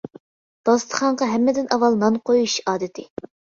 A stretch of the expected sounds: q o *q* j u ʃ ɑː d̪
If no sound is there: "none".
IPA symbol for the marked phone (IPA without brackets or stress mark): none